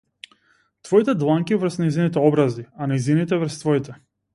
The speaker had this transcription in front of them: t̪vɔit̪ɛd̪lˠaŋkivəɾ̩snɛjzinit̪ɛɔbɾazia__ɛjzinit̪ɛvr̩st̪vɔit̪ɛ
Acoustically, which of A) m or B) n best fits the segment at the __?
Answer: B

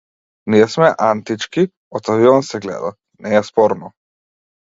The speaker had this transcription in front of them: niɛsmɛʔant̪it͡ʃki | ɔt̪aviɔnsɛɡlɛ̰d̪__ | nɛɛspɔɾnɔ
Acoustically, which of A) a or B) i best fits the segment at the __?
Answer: A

